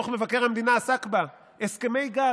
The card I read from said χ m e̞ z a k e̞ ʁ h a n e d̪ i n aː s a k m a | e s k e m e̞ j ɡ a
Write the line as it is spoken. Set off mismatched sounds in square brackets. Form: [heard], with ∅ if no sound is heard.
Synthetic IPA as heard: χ m e̞ [v] a k e̞ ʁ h a [m] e d̪ i n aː s a k [b] a | e s k e m e̞ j ɡ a